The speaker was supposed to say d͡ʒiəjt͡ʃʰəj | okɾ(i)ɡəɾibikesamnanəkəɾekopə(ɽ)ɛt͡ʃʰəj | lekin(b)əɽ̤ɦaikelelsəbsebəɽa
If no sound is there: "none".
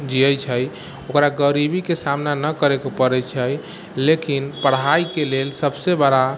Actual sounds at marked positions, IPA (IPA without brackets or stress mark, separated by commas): a, ɾ, p